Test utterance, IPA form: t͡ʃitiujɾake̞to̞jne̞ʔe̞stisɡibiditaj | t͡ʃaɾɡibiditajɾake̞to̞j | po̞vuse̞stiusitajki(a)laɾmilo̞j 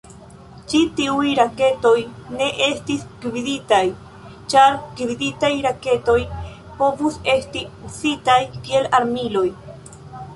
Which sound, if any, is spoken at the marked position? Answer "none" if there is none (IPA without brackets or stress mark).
e